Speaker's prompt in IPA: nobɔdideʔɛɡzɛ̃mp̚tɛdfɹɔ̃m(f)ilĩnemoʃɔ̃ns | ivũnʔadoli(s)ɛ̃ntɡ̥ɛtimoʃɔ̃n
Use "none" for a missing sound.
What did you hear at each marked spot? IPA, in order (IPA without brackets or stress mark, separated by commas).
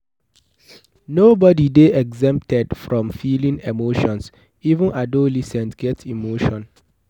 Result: f, s